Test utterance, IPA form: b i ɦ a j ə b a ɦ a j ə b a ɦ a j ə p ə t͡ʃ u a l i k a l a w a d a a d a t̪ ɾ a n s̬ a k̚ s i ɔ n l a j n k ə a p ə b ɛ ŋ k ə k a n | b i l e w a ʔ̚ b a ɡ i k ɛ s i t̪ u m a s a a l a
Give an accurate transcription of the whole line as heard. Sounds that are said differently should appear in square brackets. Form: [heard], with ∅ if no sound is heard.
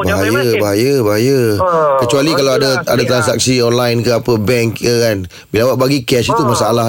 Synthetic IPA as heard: b [a] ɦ a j ə b a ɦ a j ə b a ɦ a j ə [k] ə t͡ʃ u a l i k a l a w a d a a d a t̪ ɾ a n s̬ a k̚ s i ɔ n l a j n k ə a p ə b ɛ ŋ k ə k a n | b i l [a] w a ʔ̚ b a ɡ i k ɛ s i t̪ u m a s a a l a